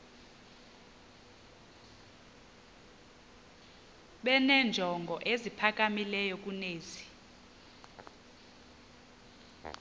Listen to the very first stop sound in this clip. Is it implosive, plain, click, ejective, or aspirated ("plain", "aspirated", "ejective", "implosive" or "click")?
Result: implosive